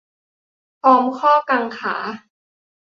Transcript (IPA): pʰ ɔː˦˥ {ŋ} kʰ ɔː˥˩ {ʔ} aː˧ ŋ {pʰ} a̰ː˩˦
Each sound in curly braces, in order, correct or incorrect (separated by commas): incorrect, incorrect, incorrect